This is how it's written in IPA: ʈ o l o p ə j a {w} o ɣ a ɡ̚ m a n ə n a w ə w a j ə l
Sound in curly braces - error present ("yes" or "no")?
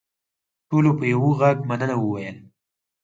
no